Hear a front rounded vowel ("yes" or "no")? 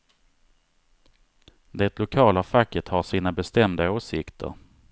no